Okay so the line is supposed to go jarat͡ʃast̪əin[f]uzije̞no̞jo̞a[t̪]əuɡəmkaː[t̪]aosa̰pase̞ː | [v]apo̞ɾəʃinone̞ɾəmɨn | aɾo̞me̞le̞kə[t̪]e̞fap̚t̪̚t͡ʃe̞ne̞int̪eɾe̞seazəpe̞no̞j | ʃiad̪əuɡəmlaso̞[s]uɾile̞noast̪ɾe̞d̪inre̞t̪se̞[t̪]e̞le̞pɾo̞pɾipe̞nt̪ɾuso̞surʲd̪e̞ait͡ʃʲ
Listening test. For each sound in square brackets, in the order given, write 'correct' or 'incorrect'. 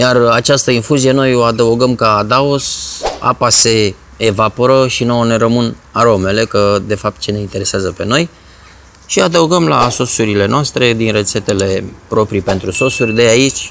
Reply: correct, incorrect, incorrect, correct, incorrect, correct, correct

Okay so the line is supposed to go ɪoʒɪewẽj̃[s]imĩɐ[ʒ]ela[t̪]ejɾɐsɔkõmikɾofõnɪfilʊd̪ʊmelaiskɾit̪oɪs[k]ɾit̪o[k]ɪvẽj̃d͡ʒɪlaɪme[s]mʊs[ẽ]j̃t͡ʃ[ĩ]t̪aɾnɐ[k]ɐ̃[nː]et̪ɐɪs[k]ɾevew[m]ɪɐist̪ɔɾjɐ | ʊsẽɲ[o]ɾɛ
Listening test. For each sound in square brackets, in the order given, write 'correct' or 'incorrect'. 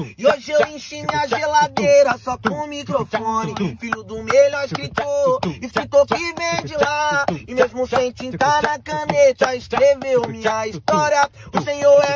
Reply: incorrect, correct, incorrect, correct, correct, incorrect, correct, correct, correct, incorrect, correct, correct, correct

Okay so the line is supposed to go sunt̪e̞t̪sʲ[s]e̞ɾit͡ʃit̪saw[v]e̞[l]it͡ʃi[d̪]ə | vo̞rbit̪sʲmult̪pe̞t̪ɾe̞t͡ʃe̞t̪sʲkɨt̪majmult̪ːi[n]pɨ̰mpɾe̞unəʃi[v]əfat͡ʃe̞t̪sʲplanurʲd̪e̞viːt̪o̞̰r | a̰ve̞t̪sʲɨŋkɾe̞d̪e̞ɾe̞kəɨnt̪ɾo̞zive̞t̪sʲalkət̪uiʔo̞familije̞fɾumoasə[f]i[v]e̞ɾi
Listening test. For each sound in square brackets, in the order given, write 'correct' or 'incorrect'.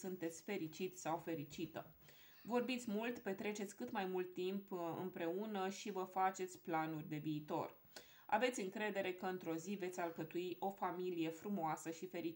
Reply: incorrect, incorrect, incorrect, incorrect, incorrect, correct, incorrect, incorrect

